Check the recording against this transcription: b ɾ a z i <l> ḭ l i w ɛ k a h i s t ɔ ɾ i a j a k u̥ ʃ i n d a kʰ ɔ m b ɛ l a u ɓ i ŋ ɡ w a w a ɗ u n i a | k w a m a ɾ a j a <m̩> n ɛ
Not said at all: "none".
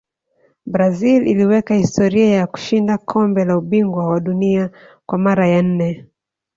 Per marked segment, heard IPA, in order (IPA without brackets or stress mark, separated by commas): l, n̩